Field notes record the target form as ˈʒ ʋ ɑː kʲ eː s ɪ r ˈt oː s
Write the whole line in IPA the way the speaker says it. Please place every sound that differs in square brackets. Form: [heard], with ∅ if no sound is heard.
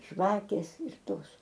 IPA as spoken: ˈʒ ʋ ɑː kʲ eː s ɪ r ˈt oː s